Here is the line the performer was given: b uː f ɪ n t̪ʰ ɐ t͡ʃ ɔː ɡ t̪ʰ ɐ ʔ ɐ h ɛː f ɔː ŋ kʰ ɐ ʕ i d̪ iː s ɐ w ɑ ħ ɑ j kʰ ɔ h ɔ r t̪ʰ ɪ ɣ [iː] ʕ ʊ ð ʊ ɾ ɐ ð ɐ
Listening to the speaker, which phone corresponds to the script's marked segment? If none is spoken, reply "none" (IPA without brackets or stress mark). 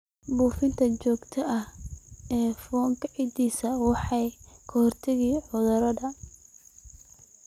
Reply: iː